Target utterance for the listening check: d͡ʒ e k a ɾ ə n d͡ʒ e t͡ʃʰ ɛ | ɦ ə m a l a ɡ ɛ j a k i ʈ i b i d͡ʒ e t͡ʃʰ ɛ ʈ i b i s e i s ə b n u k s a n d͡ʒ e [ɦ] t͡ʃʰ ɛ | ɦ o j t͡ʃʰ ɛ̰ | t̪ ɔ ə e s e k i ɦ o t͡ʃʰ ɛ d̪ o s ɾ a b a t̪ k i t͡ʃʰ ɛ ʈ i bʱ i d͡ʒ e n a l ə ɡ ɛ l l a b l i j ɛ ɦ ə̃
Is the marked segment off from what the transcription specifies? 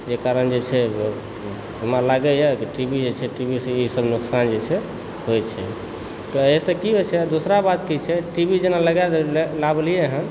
yes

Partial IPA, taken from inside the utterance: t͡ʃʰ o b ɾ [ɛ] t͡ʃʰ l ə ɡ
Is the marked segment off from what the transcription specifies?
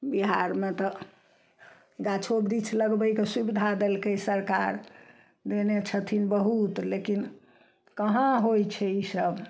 yes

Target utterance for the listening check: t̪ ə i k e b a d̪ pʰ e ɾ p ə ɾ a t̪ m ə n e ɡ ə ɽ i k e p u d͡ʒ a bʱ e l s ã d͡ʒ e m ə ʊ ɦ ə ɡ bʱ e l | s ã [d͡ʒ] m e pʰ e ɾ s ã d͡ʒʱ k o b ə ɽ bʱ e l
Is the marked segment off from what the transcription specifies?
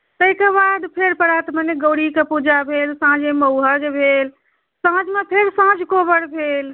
no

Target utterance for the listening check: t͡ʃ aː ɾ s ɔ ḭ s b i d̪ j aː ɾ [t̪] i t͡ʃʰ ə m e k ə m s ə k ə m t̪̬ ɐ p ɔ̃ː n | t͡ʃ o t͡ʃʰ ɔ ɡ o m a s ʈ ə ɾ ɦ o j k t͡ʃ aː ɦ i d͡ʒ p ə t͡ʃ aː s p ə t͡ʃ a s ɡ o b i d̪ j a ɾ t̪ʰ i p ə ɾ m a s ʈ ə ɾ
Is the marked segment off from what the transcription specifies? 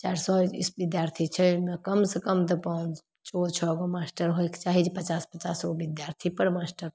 yes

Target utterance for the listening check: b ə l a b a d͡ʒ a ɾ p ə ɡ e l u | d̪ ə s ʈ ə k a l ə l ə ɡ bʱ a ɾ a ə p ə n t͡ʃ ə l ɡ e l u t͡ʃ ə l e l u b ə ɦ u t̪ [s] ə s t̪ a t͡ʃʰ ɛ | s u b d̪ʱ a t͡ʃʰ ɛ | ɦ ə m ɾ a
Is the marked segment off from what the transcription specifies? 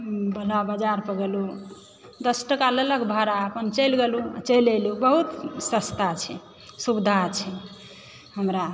no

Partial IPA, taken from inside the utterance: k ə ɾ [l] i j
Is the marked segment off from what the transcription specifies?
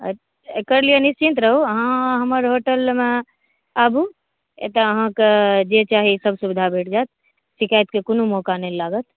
no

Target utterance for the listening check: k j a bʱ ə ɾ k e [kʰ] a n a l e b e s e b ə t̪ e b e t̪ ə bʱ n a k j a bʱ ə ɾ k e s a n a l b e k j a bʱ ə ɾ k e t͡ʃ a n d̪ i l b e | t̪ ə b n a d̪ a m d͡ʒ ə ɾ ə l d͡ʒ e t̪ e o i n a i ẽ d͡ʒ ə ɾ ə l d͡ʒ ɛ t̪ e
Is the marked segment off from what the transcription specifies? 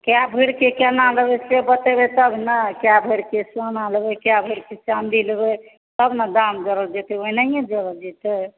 yes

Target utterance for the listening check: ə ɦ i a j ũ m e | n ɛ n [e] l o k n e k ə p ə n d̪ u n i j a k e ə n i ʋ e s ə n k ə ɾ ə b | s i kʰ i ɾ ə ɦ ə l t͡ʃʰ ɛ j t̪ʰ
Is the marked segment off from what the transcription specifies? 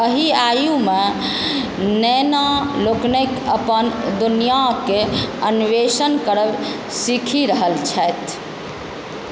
yes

